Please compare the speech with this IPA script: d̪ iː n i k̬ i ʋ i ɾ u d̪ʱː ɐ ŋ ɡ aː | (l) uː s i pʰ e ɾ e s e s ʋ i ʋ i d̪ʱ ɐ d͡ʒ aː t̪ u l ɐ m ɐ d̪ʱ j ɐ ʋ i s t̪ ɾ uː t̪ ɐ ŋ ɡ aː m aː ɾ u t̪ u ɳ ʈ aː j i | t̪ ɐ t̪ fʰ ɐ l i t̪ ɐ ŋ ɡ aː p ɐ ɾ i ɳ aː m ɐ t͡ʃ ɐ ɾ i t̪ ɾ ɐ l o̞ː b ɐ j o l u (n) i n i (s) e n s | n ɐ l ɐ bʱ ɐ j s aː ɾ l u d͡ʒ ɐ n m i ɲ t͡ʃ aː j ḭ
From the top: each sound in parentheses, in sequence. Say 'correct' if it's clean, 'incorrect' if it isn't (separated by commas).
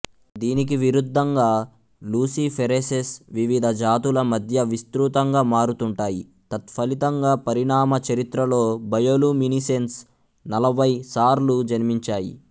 correct, incorrect, correct